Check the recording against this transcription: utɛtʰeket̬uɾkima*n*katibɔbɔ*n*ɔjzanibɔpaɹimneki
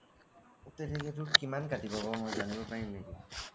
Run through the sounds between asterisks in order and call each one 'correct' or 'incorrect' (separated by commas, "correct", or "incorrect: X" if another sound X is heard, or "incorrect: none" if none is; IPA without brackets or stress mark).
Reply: correct, incorrect: m